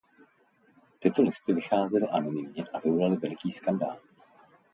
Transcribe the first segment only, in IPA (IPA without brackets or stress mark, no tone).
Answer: t̪